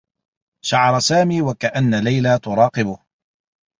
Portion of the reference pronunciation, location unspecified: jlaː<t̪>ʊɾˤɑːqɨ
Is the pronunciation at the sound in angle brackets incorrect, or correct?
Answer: correct